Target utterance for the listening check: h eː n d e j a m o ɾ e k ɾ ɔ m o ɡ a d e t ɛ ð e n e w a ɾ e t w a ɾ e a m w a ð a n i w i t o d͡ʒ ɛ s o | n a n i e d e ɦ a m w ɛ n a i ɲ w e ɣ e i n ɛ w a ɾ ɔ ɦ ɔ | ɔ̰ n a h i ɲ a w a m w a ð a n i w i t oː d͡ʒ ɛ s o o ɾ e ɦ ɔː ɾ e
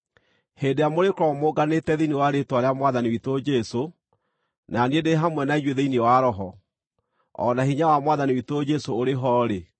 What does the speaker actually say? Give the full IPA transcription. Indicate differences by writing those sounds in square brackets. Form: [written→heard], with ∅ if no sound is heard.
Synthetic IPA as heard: h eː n d e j a m o ɾ e k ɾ ɔ m o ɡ a [d→n] e t ɛ ð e n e w a ɾ e t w a ɾ e a m w a ð a n i w i t o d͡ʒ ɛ s o | n a n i e d e ɦ a m w ɛ n a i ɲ w e [ɣ→ð] e i n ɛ w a ɾ ɔ ɦ ɔ | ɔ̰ n a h i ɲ a w a m w a ð a n i w i t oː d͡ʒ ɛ s o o ɾ e ɦ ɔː ɾ e

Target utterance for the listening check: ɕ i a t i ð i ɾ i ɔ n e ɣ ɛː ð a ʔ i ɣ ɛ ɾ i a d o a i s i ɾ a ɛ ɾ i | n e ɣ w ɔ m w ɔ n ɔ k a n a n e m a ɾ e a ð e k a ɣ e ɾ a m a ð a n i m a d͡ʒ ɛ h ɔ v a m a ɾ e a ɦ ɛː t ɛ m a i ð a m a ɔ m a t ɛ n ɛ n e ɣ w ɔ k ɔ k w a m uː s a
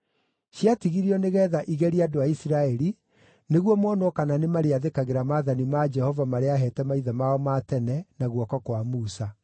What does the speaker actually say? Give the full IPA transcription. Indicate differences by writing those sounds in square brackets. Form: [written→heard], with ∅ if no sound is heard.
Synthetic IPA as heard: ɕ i a t i [ð→ɣ] i ɾ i ɔ n e ɣ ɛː ð a ʔ i ɣ ɛ ɾ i a d o a i s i ɾ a ɛ ɾ i | n e ɣ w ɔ m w ɔ n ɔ k a n a n e m a ɾ e a ð e k a ɣ e ɾ a m a ð a n i m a d͡ʒ ɛ h ɔ v a m a ɾ e a ɦ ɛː t ɛ m a i ð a m a ɔ m a t ɛ n ɛ n [e→a] ɣ w ɔ k ɔ k w a m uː s a

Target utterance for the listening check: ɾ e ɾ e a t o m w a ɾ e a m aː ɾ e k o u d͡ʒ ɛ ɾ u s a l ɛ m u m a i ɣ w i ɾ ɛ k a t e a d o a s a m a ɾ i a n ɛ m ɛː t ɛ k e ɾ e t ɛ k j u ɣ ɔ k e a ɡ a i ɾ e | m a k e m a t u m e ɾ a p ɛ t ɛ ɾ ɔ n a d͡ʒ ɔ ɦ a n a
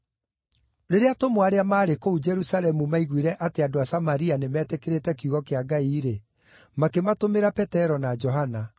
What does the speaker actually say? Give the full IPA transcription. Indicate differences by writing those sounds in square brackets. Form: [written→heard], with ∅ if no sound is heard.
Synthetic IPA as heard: ɾ e ɾ e a t o m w a ɾ e a m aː ɾ e k o u d͡ʒ ɛ ɾ u s a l ɛ m u m a i ɣ w i ɾ ɛ [k→ʔ] a t e a d o a s a m a ɾ i a n [ɛ→e] m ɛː t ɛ k e ɾ e t ɛ k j u ɣ ɔ k e a ɡ a i ɾ e | m a k e m a t [u→o] m e ɾ a p ɛ t ɛ ɾ ɔ n a d͡ʒ ɔ ɦ a n a

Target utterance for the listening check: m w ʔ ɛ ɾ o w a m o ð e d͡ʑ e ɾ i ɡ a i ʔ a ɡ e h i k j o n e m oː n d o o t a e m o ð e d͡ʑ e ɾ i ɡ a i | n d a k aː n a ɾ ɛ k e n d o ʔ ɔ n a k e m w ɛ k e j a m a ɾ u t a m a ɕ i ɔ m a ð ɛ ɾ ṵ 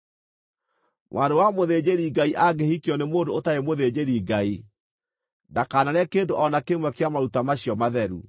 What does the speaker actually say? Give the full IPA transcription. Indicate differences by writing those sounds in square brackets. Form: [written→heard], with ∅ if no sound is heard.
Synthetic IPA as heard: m w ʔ [ɛ→a] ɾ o w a m o ð e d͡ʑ e ɾ i ɡ a i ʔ a ɡ e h i k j [o→ɔ] n e m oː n d o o t a e m o ð e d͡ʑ e ɾ i ɡ a i | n d a k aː n a ɾ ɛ k e n d o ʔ ɔ n a k e m w ɛ k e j a m a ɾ u t a m a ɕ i ɔ m a ð ɛ ɾ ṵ

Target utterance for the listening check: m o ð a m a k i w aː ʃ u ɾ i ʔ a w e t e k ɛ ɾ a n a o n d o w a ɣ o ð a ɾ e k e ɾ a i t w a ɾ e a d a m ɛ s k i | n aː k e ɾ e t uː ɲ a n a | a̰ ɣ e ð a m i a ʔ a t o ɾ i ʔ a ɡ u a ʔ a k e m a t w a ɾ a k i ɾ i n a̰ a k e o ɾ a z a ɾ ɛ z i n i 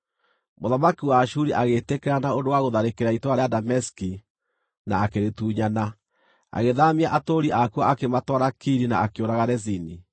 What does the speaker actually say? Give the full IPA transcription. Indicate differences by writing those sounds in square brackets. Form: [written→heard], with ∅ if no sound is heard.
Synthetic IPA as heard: m o ð a m a k i w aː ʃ u ɾ i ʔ a [w→ɣ] e t e k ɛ ɾ a n a o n d o w a ɣ o ð a ɾ e k e ɾ a i t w a ɾ e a d a m ɛ s k i | n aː k e ɾ e t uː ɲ a n a | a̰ ɣ e ð a m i a ʔ a t o ɾ i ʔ a [ɡ→k] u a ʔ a k e m a t w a ɾ a k i ɾ i n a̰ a k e o ɾ a [z→ɣ] a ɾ ɛ z i n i

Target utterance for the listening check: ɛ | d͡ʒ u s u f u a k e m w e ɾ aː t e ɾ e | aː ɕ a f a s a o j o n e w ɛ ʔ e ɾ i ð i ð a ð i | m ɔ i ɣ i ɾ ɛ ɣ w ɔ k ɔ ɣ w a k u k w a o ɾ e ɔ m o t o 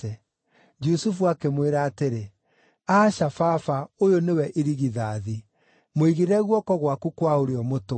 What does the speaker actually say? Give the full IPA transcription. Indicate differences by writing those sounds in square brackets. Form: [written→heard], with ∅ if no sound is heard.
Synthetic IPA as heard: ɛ | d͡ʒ u s u f u a k e m w e ɾ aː t e ɾ e | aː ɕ a f a [s→f] a o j o n e w ɛ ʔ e ɾ i [ð→ɣ] i ð a ð i | m [ɔ→o] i ɣ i ɾ ɛ ɣ w ɔ k ɔ ɣ w a k u k w a o ɾ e ɔ m o t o

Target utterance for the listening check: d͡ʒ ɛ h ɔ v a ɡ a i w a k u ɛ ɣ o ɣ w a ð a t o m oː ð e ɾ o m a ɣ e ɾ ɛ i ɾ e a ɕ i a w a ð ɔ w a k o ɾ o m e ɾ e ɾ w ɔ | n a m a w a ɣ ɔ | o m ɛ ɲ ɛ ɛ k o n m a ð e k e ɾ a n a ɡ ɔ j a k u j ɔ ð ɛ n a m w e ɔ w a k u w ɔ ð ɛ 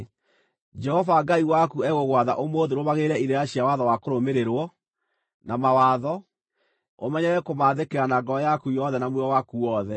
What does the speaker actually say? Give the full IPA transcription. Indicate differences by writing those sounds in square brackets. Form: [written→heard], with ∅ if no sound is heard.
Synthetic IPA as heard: d͡ʒ ɛ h ɔ v a ɡ a i w a k u ɛ ɣ o ɣ w a ð a [t→ʔ] o m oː ð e ɾ o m a ɣ e ɾ ɛ i ɾ e a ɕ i a w a ð ɔ w a k o ɾ o m e ɾ e ɾ w ɔ | n a m a w a [ɣ→ð] ɔ | o m ɛ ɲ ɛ ɛ k o [n→∅] m a ð e k e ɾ a n a ɡ ɔ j a k u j ɔ ð ɛ n a m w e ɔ w a k u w ɔ ð ɛ

